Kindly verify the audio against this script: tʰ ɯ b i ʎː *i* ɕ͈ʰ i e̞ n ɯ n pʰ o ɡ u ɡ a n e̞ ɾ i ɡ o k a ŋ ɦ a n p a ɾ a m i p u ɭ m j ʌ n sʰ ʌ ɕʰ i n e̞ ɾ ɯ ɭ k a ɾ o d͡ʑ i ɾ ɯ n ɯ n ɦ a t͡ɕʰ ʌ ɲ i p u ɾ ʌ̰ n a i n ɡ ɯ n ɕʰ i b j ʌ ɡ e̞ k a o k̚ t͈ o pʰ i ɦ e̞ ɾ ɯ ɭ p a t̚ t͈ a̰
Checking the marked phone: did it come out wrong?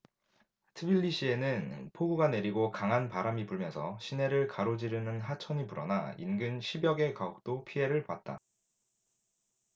no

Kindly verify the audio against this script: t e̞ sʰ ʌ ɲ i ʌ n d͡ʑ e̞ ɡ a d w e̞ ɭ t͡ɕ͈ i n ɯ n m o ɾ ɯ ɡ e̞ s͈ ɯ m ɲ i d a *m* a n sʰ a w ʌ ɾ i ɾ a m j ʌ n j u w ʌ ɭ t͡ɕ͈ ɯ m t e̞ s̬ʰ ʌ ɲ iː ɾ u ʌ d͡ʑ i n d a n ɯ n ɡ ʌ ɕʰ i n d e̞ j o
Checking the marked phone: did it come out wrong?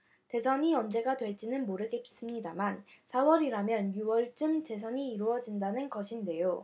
no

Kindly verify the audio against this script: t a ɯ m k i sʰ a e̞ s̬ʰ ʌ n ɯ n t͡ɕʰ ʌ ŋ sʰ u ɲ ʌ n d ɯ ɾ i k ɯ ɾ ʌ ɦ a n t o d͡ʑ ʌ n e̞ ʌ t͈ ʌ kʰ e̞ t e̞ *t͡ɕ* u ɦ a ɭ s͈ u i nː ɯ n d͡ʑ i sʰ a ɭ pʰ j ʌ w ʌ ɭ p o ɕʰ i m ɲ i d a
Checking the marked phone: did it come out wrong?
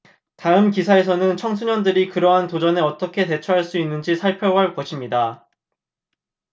yes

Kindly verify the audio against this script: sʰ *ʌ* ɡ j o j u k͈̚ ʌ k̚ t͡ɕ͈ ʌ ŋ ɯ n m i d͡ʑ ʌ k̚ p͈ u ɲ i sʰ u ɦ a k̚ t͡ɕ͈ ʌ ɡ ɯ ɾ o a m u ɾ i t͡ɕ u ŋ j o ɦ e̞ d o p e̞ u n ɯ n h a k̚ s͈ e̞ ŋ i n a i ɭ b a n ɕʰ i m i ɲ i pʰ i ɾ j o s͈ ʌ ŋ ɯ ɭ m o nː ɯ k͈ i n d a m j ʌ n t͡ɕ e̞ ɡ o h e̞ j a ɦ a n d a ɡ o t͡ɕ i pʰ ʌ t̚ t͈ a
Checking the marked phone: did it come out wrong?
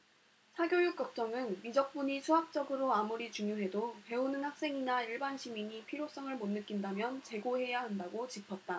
yes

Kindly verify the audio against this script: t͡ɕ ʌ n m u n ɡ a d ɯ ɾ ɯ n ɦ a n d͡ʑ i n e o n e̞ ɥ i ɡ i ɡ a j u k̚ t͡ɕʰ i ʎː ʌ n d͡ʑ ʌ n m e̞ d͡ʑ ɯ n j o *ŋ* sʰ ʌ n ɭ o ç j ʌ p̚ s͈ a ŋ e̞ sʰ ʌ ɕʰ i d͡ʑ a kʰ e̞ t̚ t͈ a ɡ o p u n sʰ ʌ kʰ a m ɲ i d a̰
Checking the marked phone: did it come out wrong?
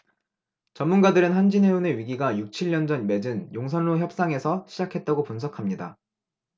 no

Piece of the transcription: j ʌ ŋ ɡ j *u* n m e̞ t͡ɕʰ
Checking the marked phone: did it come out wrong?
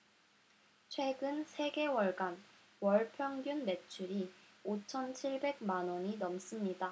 no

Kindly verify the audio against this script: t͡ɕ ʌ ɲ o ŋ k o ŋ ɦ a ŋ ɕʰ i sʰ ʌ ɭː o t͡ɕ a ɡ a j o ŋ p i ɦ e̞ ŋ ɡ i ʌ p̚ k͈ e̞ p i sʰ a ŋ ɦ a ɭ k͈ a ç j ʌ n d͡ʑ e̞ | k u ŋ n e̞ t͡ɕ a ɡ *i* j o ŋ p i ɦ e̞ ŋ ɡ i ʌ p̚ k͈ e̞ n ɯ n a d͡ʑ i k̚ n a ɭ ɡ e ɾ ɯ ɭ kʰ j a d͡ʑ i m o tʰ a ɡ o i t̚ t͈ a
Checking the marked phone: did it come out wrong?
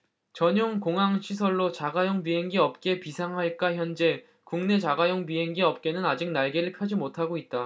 yes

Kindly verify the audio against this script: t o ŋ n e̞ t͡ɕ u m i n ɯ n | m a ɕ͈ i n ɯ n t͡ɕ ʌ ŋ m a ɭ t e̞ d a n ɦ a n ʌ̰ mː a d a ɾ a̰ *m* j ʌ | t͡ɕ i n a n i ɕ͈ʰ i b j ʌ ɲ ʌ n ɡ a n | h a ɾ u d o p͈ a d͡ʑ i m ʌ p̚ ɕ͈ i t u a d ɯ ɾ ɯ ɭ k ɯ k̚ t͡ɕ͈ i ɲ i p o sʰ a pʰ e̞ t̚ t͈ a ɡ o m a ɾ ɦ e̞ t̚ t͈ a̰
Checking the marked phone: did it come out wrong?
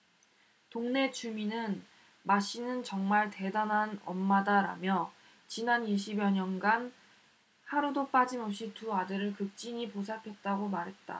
no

